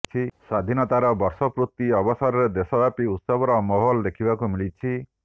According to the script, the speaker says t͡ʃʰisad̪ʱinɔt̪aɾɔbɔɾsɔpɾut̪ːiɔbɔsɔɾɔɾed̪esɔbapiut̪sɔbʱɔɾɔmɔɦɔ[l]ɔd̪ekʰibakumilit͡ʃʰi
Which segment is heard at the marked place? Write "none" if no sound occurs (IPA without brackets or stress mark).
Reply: l